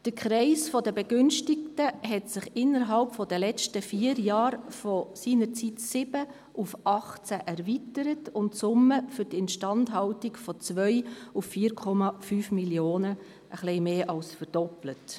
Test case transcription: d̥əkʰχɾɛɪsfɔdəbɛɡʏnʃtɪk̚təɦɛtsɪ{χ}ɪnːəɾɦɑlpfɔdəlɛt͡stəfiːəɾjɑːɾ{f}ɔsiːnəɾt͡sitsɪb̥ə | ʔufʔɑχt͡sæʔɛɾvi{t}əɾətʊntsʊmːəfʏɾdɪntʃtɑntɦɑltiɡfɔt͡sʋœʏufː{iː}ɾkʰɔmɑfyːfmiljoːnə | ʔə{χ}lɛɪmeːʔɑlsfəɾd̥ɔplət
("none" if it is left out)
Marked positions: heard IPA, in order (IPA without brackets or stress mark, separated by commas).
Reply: χ, f, t, iː, χ